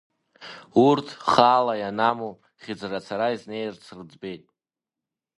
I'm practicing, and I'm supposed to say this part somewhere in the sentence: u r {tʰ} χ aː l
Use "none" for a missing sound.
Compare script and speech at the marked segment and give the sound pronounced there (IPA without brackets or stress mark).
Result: tʰ